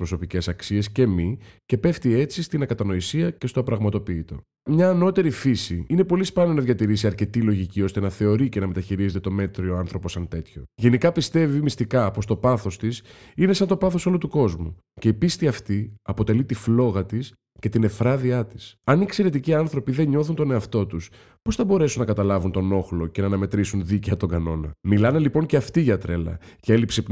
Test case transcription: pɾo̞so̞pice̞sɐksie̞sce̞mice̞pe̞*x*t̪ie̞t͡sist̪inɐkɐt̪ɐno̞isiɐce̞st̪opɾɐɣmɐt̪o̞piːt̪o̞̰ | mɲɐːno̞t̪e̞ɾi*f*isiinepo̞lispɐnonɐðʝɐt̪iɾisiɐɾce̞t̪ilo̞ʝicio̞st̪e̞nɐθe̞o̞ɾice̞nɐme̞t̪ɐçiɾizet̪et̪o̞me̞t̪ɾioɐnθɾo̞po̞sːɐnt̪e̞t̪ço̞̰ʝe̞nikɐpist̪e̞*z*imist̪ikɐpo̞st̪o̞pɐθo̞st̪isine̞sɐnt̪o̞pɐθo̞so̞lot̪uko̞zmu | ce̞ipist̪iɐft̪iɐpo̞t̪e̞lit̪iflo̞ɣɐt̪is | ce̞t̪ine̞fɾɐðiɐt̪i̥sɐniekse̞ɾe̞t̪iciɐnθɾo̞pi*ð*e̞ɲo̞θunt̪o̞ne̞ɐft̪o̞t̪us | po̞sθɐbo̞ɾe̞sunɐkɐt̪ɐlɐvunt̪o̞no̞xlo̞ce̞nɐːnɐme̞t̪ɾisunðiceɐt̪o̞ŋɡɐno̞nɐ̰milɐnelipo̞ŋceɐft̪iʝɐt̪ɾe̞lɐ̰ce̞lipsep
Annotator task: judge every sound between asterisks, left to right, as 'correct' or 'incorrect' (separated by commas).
incorrect, correct, incorrect, correct